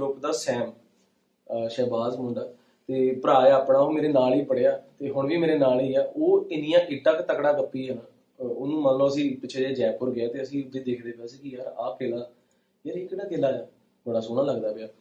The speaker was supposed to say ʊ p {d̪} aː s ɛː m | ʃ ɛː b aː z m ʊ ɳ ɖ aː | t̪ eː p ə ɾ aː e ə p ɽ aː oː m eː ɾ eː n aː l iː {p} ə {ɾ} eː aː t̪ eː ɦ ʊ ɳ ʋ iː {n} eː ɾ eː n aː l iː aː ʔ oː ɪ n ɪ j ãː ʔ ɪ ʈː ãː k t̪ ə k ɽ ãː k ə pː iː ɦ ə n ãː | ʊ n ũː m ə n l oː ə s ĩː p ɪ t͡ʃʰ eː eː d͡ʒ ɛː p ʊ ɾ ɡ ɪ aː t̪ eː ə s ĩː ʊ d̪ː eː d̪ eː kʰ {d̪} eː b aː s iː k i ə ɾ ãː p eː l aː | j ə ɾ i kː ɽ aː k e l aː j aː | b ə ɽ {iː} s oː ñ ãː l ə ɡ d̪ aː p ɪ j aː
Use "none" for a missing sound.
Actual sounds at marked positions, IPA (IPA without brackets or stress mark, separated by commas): d̪, p, ɽ, m, d̪, aː